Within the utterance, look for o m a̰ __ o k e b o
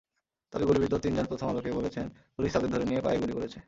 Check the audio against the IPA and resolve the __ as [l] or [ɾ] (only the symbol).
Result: l